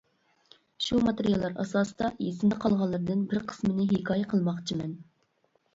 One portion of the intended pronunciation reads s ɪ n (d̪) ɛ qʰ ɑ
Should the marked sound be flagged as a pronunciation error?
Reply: no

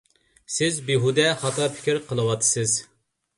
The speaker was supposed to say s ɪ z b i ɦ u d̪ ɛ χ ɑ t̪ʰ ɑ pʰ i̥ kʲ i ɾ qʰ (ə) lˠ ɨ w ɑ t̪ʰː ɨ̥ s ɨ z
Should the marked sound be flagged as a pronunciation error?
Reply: no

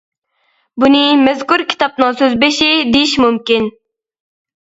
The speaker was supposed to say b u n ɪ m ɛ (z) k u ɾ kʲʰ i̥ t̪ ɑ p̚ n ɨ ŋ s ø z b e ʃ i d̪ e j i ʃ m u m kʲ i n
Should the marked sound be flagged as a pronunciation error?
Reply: no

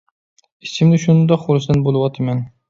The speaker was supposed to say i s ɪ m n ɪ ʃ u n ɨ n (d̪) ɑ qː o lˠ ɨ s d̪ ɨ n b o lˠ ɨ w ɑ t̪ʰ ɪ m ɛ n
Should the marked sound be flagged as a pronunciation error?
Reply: no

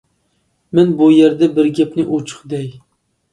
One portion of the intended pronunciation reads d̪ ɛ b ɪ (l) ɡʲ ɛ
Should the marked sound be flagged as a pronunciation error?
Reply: yes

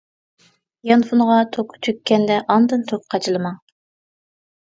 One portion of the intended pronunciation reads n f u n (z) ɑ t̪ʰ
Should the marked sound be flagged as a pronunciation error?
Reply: yes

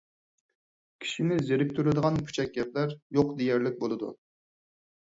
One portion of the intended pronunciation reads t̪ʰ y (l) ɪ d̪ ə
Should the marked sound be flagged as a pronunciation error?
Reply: yes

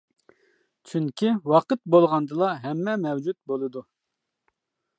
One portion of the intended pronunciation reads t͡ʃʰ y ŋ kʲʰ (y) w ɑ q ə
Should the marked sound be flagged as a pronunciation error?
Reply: yes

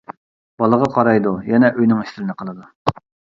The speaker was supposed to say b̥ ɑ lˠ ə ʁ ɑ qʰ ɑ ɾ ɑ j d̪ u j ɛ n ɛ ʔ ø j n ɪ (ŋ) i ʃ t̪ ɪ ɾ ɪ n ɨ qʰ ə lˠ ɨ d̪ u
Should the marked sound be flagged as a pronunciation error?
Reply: no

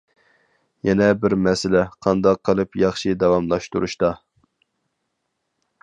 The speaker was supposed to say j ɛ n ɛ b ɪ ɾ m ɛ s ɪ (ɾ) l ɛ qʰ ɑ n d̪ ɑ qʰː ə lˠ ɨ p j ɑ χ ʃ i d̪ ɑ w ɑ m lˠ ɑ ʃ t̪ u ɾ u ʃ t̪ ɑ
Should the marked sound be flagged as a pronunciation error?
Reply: yes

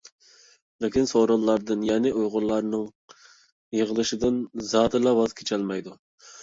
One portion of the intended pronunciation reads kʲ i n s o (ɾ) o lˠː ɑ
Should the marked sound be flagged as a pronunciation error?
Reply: no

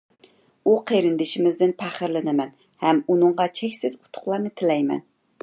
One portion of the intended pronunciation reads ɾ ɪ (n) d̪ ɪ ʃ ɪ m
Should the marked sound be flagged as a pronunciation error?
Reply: no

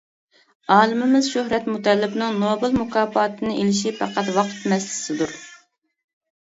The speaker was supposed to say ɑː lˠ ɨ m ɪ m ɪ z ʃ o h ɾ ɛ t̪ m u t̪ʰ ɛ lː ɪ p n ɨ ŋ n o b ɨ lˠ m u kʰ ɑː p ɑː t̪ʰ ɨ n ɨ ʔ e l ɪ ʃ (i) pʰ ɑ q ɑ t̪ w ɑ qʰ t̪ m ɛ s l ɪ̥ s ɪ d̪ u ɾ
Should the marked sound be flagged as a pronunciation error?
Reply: no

